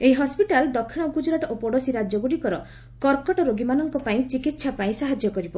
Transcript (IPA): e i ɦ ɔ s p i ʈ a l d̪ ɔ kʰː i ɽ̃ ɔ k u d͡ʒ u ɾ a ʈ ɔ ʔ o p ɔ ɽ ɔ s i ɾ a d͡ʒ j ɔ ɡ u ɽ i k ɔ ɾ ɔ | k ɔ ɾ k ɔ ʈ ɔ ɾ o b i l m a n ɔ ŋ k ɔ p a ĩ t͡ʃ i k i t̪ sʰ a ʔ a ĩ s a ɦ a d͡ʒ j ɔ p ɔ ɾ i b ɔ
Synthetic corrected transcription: e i ɦ ɔ s p i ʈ a l d̪ ɔ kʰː i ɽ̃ ɔ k u d͡ʒ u ɾ a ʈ ɔ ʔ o p ɔ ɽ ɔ s i ɾ a d͡ʒ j ɔ ɡ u ɽ i k ɔ ɾ ɔ | k ɔ ɾ k ɔ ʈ ɔ ɾ o ɡ i m a n ɔ ŋ k ɔ p a ĩ t͡ʃ i k i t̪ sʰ a p a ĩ s a ɦ a d͡ʒ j ɔ k ɔ ɾ i b ɔ